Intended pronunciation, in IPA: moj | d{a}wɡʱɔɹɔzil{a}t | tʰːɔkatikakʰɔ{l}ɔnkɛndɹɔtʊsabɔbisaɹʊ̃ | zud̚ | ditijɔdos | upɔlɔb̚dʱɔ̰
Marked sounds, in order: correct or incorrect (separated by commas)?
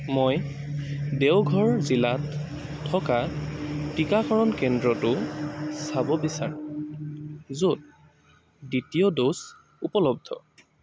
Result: incorrect, correct, incorrect